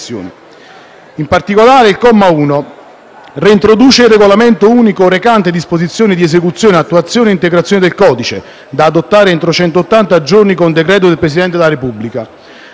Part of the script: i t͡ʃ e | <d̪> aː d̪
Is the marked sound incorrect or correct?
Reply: correct